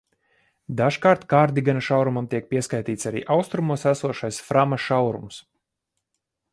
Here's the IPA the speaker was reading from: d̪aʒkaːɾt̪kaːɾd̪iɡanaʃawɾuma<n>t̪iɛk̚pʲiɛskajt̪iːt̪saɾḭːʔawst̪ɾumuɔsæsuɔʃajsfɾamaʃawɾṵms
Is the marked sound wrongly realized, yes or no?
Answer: yes